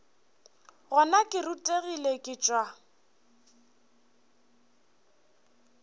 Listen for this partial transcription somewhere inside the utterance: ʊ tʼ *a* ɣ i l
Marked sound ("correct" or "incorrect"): incorrect